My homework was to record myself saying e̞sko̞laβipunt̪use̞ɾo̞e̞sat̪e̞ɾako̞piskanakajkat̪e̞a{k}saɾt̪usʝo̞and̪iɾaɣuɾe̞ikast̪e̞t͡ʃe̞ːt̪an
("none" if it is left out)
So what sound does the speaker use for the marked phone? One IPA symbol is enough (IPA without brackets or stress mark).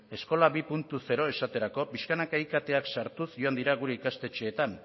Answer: k